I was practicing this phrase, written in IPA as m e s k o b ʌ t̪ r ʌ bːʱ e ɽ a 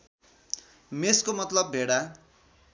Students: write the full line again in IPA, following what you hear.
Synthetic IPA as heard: m e s k o m ʌ t̪ l ʌ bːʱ e ɽ a